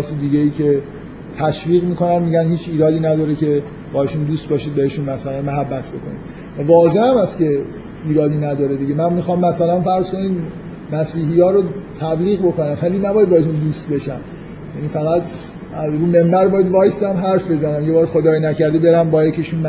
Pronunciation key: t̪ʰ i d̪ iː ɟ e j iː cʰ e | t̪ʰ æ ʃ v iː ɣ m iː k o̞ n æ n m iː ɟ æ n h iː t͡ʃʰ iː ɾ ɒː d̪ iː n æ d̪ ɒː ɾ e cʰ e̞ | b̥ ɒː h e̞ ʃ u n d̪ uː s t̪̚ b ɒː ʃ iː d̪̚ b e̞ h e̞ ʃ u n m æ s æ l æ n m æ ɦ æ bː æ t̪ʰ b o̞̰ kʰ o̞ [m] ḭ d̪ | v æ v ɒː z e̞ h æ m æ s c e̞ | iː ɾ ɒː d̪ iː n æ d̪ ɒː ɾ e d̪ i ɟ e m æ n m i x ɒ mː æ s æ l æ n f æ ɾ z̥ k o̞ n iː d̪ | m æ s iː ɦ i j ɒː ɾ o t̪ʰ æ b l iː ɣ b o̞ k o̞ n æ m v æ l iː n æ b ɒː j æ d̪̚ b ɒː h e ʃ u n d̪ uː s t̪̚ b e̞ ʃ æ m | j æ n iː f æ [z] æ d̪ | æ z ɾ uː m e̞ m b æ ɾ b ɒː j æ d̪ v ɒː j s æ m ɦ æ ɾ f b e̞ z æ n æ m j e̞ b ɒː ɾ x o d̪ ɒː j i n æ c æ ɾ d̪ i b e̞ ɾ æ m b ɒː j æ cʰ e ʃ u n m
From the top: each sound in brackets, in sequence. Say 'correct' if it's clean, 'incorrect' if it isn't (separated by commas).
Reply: incorrect, incorrect